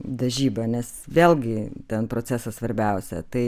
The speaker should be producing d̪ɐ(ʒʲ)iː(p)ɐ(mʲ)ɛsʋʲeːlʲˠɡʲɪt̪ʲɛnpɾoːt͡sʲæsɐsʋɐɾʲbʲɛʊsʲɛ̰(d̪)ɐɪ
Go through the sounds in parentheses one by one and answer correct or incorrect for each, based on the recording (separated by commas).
correct, incorrect, incorrect, incorrect